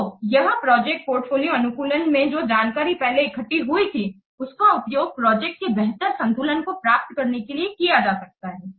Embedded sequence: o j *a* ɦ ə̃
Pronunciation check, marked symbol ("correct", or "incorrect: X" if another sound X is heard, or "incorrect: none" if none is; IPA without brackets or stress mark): incorrect: ɐ